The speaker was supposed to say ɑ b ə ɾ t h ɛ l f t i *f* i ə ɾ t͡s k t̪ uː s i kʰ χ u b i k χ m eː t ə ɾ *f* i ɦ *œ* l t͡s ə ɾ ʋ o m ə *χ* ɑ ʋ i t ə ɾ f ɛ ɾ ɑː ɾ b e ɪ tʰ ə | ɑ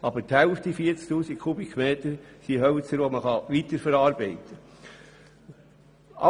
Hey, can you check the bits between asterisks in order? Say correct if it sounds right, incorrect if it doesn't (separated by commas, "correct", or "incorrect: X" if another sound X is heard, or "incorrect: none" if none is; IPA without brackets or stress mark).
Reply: correct, incorrect: s, correct, correct